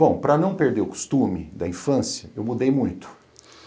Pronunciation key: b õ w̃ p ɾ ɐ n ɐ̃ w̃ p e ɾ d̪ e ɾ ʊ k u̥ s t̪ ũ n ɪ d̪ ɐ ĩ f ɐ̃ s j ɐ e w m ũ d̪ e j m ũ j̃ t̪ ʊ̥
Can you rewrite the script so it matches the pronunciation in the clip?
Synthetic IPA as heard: b õ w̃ p ɾ ɐ n ɐ̃ w̃ p e ɾ d̪ e ɾ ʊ k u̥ s t̪ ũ m ɪ d̪ ɐ ĩ f ɐ̃ s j ɐ e w m u d̪ e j m ũ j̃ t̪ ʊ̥